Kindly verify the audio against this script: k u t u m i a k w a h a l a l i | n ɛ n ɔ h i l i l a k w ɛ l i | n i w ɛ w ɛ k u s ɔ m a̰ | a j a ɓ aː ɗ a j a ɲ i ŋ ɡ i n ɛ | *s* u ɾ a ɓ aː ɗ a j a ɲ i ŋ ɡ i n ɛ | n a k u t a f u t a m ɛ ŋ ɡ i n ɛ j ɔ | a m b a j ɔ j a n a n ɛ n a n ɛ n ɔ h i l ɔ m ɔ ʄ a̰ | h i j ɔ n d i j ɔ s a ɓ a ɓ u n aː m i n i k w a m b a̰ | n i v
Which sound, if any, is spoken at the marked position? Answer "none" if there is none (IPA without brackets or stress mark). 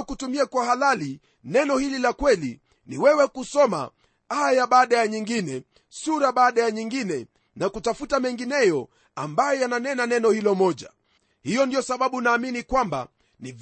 s